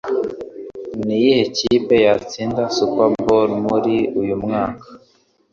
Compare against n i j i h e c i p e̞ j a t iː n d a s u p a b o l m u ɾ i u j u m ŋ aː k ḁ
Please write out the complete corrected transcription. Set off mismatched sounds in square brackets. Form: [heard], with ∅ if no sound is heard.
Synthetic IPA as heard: n i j i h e c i p e̞ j a [t͡s] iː n d a s u p a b o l m u ɾ i u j u m ŋ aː k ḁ